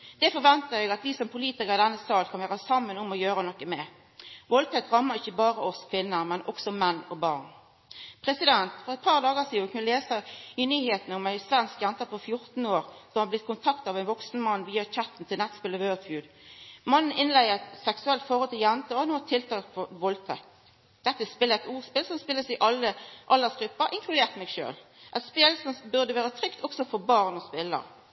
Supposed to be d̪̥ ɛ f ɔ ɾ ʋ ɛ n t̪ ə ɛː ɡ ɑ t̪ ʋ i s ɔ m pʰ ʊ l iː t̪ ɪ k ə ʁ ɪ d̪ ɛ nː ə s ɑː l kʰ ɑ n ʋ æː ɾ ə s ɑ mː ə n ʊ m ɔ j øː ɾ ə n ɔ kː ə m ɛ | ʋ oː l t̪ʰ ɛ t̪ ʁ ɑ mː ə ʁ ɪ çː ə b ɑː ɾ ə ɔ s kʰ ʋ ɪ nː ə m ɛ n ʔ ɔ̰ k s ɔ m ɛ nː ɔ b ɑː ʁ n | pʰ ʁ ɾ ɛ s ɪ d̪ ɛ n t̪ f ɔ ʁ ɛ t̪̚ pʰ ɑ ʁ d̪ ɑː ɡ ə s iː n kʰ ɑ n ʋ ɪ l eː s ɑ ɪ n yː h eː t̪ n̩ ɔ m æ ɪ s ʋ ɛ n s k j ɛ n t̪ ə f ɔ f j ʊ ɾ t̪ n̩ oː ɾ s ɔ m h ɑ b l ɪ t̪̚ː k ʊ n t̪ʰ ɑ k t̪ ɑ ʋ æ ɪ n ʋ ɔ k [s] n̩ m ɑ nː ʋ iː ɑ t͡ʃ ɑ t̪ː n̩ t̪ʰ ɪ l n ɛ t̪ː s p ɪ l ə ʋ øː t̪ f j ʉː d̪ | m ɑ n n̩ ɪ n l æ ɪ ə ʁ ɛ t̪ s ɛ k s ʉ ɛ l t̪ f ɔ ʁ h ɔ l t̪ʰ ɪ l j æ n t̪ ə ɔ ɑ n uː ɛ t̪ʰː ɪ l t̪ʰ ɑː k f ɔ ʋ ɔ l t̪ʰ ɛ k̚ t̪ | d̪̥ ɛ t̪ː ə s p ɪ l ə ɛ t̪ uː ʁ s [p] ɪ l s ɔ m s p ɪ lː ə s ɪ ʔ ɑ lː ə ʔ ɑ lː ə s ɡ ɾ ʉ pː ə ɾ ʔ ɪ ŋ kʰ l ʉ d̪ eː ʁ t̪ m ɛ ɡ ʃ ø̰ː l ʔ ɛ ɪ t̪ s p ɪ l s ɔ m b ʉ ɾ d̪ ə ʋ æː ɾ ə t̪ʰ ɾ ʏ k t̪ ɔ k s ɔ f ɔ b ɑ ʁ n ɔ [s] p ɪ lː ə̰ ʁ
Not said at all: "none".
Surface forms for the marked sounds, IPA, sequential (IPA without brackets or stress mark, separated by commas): s, p, s